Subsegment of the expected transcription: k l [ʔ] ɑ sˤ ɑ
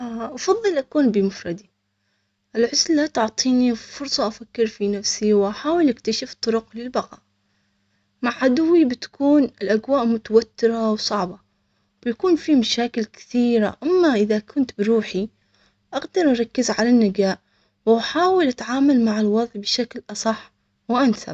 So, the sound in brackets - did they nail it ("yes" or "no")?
yes